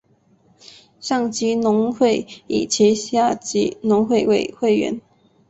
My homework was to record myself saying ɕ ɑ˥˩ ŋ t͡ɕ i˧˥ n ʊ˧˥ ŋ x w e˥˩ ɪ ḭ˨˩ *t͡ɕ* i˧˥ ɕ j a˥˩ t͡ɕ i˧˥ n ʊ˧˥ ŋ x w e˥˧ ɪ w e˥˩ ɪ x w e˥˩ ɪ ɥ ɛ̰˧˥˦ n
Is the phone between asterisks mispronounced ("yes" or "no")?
yes